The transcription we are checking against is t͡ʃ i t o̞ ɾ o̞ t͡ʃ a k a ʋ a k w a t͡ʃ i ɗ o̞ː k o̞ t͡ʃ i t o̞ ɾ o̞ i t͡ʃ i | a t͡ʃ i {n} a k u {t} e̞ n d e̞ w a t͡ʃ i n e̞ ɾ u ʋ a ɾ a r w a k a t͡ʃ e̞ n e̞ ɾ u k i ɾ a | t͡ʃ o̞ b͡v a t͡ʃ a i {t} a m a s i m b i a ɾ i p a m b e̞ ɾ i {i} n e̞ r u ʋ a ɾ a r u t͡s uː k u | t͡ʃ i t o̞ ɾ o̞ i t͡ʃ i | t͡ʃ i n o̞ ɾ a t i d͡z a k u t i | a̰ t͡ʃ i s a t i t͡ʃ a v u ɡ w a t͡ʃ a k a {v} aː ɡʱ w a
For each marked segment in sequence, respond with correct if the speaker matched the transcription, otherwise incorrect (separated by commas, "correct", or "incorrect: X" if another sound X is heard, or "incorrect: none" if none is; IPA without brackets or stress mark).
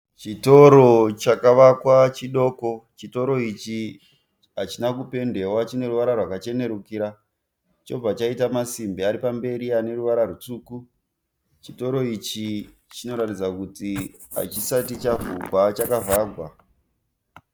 correct, incorrect: p, correct, incorrect: a, correct